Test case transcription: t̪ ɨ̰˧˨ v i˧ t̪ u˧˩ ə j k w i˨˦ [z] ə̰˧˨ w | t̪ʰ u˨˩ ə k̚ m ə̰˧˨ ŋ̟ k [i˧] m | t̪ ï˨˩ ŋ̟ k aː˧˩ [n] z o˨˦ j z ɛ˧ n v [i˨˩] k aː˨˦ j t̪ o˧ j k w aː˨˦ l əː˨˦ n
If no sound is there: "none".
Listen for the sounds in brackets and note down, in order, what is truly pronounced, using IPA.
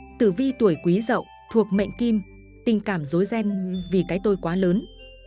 z, i˧, m, i˨˩

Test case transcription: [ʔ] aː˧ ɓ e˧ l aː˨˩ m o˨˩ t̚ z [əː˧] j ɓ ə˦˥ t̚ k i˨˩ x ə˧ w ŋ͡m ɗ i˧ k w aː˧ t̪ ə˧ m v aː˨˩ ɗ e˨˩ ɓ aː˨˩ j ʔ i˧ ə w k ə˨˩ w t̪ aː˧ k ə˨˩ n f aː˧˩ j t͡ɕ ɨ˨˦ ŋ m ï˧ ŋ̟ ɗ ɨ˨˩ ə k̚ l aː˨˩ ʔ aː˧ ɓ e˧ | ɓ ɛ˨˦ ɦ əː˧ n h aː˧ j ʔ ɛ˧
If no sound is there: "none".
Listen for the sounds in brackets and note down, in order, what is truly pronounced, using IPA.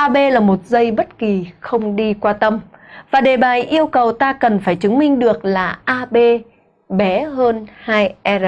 ʔ, ə˧

